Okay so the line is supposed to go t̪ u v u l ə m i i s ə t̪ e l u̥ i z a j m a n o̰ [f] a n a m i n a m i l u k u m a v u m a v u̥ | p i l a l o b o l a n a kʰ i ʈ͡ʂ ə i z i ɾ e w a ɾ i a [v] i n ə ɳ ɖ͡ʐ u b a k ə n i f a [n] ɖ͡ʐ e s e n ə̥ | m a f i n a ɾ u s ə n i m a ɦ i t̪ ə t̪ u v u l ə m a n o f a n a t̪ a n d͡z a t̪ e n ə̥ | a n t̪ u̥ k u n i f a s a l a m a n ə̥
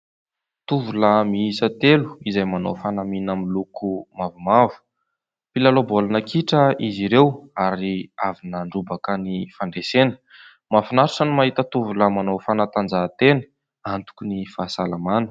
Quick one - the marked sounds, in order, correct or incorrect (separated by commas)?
correct, correct, incorrect